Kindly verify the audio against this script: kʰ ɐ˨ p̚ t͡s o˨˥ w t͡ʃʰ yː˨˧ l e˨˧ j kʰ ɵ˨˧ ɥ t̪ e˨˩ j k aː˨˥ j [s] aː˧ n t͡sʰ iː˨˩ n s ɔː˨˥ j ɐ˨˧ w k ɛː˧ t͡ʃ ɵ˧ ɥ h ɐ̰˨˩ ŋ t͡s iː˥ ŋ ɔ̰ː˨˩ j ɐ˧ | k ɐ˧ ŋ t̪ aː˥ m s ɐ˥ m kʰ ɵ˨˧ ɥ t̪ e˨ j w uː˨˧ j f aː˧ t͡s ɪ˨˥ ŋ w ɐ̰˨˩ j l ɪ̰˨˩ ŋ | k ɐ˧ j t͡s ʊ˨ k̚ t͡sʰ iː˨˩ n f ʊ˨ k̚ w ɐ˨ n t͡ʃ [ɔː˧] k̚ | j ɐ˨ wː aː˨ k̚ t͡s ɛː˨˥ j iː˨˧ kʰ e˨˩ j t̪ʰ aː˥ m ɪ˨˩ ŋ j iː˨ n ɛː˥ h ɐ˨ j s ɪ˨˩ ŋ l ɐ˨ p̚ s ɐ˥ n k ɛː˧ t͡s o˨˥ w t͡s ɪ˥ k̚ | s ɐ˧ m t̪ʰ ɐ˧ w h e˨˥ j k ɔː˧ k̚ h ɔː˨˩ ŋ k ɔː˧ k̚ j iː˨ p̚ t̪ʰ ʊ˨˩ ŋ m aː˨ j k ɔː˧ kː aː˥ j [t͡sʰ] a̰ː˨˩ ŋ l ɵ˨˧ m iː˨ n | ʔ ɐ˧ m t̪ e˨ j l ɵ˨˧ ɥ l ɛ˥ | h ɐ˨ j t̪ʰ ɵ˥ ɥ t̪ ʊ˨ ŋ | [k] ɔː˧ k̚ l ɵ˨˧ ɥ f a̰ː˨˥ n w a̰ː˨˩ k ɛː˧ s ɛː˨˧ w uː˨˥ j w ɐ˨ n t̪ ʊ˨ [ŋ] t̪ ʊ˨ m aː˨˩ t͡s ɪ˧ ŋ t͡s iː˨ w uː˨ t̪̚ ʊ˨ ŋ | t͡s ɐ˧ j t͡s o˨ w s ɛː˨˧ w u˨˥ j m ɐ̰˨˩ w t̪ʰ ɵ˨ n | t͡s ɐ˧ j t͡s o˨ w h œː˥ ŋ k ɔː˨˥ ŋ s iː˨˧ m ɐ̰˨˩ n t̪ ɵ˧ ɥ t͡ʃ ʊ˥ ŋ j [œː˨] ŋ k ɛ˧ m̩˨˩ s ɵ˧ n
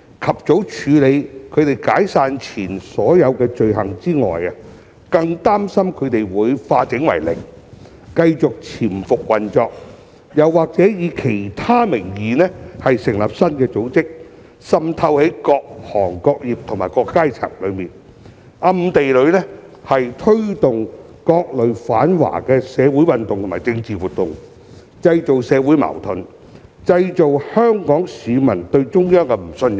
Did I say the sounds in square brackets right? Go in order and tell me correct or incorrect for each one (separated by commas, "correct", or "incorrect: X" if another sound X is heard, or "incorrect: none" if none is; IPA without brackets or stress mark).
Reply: correct, correct, correct, correct, correct, incorrect: œː˥